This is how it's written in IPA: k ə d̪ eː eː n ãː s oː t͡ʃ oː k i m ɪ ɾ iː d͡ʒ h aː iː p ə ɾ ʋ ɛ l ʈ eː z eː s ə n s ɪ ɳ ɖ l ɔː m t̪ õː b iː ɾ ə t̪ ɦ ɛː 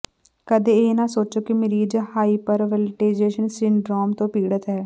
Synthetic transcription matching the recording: k ə d̪ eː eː n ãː s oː t͡ʃ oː k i m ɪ ɾ iː d͡ʒ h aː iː p ə ɾ ʋ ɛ l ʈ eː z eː ʃ ə n s ɪ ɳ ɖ ɾ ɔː m t̪ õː p iː ɽ ə t̪ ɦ ɛː